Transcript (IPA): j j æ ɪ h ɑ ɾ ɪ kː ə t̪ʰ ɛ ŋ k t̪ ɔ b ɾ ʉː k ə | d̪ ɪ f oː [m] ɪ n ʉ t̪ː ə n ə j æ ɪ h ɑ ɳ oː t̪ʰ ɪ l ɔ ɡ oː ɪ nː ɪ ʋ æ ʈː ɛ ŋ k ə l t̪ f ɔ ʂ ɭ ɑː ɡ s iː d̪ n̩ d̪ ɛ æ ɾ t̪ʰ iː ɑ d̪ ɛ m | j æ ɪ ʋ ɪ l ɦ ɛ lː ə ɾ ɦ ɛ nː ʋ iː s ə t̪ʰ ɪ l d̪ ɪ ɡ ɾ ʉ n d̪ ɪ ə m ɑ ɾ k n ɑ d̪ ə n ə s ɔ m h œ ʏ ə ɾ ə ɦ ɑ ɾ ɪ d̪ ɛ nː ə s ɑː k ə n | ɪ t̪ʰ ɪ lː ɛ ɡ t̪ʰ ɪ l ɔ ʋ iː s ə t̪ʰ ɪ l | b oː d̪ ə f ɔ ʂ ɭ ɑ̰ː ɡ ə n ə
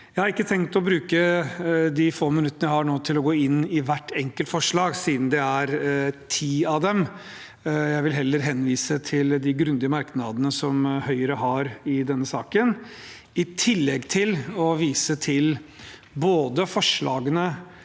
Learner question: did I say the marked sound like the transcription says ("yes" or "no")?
yes